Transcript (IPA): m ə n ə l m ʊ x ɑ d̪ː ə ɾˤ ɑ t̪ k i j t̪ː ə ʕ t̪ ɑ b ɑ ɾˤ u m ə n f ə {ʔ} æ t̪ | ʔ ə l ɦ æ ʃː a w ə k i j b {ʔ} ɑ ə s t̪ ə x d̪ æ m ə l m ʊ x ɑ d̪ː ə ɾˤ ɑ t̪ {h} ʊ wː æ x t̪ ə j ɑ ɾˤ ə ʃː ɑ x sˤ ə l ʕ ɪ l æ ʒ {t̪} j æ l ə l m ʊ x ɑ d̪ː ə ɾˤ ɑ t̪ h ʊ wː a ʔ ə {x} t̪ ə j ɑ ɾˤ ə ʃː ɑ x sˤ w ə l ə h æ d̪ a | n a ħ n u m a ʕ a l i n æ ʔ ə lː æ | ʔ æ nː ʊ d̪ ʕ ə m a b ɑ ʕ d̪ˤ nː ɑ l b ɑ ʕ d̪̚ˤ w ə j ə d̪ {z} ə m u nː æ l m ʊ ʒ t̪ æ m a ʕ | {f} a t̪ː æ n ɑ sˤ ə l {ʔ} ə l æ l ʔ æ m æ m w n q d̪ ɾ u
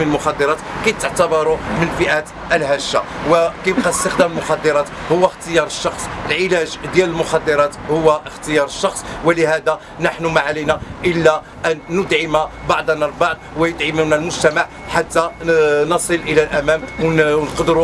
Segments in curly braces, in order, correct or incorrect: correct, incorrect: q, correct, incorrect: d̪, correct, incorrect: ʕ, incorrect: ħ, correct

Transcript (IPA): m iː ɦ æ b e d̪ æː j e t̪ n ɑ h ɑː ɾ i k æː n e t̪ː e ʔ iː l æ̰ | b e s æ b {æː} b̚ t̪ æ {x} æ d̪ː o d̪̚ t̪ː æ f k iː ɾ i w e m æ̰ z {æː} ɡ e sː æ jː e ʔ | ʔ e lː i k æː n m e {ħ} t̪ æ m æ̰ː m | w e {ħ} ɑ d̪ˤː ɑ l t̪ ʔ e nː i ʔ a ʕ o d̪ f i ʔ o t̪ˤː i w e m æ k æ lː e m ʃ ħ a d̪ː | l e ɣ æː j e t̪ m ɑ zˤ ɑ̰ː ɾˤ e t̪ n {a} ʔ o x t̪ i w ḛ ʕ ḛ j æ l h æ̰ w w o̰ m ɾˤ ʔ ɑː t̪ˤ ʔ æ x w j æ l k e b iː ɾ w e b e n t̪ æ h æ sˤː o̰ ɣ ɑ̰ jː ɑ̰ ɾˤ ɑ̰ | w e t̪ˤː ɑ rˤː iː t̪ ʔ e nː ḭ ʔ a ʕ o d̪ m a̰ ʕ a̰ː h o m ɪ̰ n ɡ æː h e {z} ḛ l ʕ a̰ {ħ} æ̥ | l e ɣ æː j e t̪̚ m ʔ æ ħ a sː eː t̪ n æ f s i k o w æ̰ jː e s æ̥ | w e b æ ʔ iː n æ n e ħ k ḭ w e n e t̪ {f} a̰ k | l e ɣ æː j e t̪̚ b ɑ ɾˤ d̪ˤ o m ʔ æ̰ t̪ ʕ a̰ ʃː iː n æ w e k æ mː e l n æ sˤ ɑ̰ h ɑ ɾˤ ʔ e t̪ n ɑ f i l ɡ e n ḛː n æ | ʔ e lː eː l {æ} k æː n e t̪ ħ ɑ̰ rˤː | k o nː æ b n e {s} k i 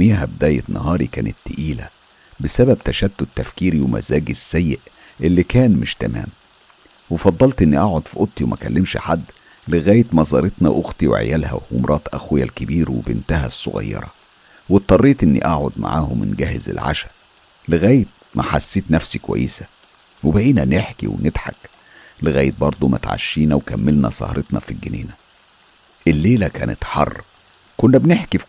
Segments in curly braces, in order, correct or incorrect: incorrect: æ, incorrect: ʃ, correct, incorrect: ʃ, incorrect: f, incorrect: ɑ, correct, incorrect: ʃ, incorrect: ħ, correct, incorrect: ħ

